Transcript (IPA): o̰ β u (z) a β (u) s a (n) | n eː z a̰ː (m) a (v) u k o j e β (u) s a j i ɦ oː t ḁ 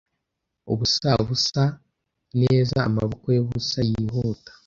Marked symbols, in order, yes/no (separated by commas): no, yes, no, yes, no, yes